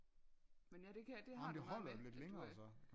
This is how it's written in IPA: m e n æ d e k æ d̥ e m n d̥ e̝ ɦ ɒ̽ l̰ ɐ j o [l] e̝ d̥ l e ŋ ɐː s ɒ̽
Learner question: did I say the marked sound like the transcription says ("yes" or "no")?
yes